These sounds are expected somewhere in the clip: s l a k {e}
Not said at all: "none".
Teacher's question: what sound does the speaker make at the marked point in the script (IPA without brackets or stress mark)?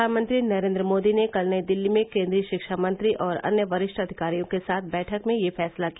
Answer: i